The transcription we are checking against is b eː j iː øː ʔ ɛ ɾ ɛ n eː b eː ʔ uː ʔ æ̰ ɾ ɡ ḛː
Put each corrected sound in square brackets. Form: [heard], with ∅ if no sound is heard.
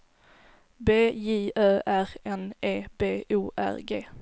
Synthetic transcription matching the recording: b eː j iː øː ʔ [æ] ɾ ɛ n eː b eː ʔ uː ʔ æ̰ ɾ ɡ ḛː